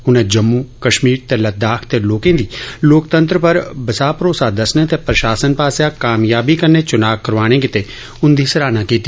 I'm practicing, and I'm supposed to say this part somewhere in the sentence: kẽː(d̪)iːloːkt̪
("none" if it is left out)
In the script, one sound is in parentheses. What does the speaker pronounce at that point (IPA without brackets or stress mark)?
d̪